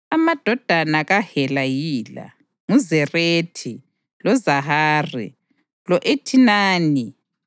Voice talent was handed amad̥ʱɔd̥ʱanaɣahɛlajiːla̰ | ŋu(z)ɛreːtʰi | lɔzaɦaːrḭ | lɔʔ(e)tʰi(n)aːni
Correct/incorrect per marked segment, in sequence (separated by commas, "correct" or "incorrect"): correct, correct, correct